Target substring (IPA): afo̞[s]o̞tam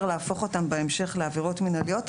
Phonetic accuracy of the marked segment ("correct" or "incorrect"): incorrect